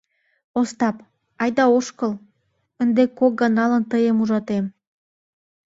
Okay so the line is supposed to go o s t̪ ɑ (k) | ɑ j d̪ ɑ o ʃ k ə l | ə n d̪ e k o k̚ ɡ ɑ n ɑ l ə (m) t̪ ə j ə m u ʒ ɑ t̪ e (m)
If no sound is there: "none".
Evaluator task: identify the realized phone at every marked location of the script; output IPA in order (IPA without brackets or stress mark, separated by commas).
p, n, m